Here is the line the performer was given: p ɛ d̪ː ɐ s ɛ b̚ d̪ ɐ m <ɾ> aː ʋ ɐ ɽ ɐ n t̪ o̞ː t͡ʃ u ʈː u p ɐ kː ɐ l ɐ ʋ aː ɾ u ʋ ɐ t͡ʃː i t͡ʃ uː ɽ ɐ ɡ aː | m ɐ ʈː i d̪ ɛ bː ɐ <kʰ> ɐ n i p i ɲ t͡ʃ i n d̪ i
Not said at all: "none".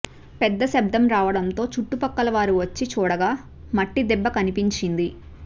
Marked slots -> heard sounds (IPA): ɾ, k

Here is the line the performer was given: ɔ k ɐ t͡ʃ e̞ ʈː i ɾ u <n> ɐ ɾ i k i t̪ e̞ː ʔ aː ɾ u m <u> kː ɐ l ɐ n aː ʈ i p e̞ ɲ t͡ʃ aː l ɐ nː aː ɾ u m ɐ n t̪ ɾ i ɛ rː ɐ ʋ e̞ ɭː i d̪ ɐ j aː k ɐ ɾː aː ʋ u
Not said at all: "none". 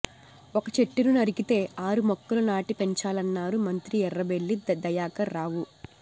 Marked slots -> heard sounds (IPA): n, ɔ

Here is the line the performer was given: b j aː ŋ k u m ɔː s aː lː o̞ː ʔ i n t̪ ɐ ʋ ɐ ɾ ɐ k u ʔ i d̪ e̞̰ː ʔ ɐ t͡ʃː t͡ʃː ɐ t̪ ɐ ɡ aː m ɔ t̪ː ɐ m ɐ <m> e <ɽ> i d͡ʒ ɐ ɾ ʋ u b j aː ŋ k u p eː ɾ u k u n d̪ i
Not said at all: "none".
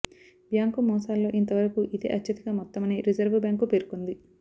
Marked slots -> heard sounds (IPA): n, ɾ

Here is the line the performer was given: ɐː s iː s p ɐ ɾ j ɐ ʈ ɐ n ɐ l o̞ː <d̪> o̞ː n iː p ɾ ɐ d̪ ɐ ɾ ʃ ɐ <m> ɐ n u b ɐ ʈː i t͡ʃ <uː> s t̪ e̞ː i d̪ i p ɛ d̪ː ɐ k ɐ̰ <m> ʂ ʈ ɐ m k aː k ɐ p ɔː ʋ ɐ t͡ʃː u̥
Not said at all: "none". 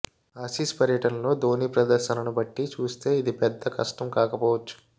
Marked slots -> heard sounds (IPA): d̪, n, uː, none

